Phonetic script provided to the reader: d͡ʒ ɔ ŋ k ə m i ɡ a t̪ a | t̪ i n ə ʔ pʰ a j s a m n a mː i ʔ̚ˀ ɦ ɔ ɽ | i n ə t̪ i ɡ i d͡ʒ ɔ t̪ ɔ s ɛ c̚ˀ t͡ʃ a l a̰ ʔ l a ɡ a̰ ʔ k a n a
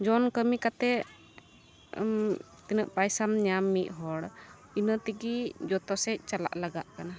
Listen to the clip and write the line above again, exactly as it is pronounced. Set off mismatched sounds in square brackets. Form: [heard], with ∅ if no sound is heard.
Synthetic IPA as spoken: d͡ʒ ɔ [n] k ə m i [k] a t̪ [ɛ] | t̪ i n ə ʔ [p] a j s a m [ɲ] a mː i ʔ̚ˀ ɦ ɔ ɽ | i n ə t̪ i ɡ i d͡ʒ ɔ t̪ ɔ s ɛ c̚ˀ t͡ʃ a l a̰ ʔ l a ɡ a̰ ʔ k a n a